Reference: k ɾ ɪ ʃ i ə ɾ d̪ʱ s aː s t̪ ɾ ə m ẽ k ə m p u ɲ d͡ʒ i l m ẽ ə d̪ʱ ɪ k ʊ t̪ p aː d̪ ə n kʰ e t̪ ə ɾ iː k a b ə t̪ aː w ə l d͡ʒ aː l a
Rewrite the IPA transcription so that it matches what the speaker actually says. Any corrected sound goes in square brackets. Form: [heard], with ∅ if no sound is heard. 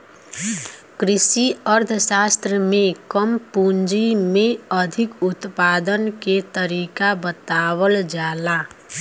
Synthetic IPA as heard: k ɾ ɪ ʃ i ə ɾ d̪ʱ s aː s t̪ ɾ ə m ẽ k ə m p u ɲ d͡ʒ i [∅] m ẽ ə d̪ʱ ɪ k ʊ t̪ p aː d̪ ə n [k] e t̪ ə ɾ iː k a b ə t̪ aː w ə l d͡ʒ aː l a